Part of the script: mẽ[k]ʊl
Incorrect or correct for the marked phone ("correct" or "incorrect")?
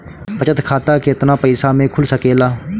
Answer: incorrect